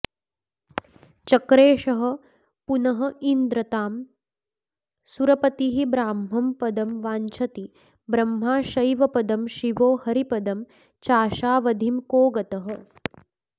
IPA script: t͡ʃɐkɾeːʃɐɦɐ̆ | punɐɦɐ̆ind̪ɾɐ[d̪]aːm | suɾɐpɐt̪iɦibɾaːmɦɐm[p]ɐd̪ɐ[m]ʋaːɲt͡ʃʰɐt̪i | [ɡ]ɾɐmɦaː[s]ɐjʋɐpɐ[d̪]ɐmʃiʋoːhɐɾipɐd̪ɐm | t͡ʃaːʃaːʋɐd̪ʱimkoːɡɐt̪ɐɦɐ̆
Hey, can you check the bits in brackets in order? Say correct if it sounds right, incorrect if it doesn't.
incorrect, correct, correct, incorrect, incorrect, correct

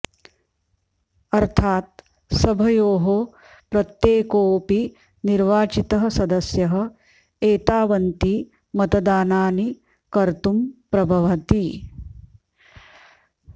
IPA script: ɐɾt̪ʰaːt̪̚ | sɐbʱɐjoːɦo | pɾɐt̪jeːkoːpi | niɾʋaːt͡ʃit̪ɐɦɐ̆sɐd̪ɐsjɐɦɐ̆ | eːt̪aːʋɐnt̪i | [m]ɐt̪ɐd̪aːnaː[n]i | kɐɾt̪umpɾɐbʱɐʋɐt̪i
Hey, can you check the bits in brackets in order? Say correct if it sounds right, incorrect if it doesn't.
correct, correct

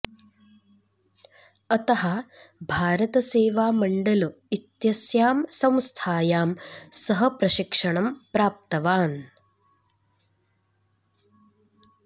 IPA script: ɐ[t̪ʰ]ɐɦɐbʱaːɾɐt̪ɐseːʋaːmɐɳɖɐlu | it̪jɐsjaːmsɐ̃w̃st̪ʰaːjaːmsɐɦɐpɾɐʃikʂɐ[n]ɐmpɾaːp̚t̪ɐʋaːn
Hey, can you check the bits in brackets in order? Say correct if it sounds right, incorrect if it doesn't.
incorrect, incorrect

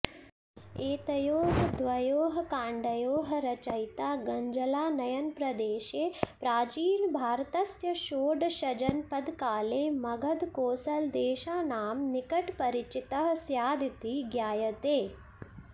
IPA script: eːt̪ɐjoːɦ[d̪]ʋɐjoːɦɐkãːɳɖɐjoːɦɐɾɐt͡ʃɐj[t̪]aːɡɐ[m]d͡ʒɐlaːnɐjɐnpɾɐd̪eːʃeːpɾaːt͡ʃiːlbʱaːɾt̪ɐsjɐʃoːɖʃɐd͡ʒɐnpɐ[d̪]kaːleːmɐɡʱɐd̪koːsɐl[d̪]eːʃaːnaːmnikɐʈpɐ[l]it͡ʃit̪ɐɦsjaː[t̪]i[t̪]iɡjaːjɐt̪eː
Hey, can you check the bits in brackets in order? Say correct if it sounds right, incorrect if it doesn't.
correct, correct, incorrect, correct, correct, incorrect, incorrect, correct

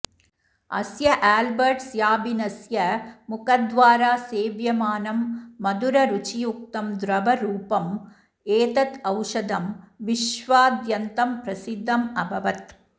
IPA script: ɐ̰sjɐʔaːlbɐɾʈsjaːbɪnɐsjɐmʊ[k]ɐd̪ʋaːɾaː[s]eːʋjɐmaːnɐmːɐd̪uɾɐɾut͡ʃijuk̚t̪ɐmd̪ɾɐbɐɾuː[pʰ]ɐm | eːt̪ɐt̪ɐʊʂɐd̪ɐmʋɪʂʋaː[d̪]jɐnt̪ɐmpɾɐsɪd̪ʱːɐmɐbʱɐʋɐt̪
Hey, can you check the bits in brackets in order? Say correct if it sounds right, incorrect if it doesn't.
correct, correct, incorrect, correct

